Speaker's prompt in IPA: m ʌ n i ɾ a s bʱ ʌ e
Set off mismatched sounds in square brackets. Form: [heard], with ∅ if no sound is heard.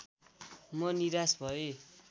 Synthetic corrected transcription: m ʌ n i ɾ a s bʱ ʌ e